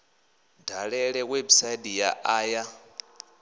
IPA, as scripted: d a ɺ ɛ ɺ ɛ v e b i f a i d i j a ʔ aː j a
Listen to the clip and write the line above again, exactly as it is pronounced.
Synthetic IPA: d a ɺ ɛ ɺ ɛ w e b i s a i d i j a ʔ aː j a

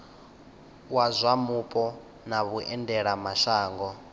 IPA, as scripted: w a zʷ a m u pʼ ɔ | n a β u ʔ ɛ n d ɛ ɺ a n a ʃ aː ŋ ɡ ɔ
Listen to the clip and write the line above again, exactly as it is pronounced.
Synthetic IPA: w a zʷ a m u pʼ ɔ | n a β u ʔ ɛ n d ɛ ɺ a m a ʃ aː ŋ ɡ ɔ

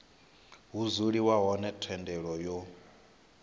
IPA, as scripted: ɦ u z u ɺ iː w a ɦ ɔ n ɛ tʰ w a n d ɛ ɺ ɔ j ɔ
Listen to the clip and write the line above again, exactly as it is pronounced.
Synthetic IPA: ɦ u z u ɺ i w a ɦ ɔ n ɛ tʰ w ɛ n d ɛ ɺ ɔ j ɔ

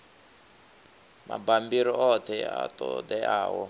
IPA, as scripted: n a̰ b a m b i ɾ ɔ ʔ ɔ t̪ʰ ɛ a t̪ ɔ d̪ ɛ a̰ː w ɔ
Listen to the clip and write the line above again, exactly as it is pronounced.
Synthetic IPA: m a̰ b a m b i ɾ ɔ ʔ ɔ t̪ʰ ɛ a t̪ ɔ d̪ ɛ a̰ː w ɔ

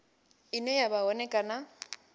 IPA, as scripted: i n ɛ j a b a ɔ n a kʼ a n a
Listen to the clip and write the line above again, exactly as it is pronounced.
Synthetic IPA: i n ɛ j a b a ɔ n ɛ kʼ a n a

